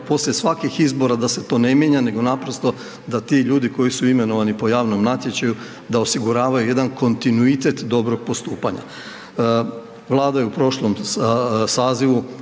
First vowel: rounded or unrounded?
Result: rounded